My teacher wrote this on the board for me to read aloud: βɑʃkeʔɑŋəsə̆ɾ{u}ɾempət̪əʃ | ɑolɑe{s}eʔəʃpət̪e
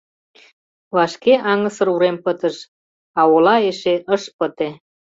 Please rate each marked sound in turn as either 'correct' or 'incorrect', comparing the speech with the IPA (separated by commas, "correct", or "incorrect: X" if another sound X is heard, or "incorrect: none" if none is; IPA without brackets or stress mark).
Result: correct, incorrect: ʃ